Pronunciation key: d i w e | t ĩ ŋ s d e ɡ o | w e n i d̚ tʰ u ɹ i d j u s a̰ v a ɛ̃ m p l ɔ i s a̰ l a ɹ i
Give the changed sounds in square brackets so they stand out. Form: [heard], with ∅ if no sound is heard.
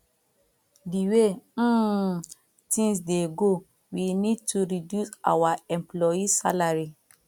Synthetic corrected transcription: d i w e | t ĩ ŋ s d e ɡ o | w [i] n i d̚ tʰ u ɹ i d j u s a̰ [w] a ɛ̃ m p l ɔ i s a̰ l a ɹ i